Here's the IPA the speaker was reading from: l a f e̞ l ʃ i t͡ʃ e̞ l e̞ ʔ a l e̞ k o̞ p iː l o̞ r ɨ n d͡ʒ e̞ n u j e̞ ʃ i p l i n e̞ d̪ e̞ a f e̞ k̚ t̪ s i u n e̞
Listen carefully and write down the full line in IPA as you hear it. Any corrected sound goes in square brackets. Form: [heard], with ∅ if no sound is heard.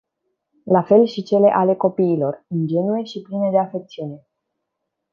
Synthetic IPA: l a f e̞ l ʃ i t͡ʃ e̞ l e̞ ʔ a l e̞ k o̞ p iː l o̞ r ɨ n d͡ʒ e̞ n u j e̞ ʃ i p l i n e̞ d̪ e̞ a f e̞ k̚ t̪ s i u n e̞